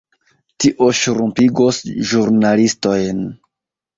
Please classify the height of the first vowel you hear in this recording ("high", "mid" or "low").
high